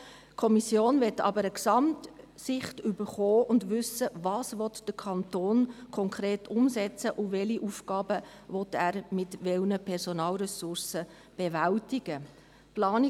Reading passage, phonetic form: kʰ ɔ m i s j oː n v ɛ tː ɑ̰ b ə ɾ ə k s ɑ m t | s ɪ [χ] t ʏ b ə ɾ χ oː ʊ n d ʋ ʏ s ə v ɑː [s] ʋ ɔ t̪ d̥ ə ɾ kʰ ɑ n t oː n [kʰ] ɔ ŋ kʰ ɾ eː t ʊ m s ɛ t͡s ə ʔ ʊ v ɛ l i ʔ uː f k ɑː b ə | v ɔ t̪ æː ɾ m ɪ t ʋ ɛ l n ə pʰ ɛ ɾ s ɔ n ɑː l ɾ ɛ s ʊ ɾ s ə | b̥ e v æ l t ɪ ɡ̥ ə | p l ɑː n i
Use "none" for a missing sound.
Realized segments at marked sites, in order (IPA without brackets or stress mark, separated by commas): χ, s, kʰ